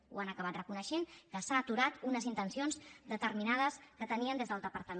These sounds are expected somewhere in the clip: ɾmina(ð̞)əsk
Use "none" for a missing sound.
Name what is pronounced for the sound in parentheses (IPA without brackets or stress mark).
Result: ð̞